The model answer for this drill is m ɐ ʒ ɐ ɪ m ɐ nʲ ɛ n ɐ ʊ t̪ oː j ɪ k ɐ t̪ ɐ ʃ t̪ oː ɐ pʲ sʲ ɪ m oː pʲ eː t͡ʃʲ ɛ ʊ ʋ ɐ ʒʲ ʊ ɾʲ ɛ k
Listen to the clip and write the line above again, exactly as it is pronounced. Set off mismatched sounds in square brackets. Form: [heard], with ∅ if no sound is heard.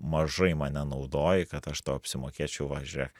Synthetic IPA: m ɐ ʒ ɐ ɪ m ɐ nʲ ɛ n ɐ ʊ [d̪] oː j ɪ k ɐ t̪ ɐ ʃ t̪ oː ɐ pʲ sʲ ɪ m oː [kʲ] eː t͡ʃʲ ɛ ʊ ʋ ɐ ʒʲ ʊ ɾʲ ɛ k